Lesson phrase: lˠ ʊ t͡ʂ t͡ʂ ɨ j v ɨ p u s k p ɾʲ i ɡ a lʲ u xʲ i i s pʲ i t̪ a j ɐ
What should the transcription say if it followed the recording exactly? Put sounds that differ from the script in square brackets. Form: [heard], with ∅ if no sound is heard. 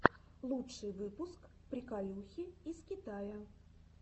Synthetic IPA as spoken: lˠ [u] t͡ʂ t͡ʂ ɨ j v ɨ p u s k p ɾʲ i [k] a lʲ u xʲ i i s [kʲ] i t̪ a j ɐ